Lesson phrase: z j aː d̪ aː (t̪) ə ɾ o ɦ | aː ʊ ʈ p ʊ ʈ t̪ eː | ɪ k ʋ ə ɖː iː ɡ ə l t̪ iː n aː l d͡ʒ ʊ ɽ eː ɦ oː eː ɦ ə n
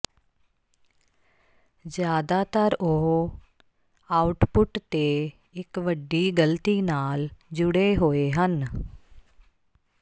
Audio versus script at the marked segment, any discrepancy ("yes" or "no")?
no